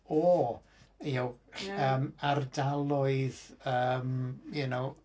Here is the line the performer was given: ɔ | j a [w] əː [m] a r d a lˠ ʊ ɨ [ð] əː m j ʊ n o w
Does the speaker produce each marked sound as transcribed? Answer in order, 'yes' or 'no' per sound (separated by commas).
yes, yes, yes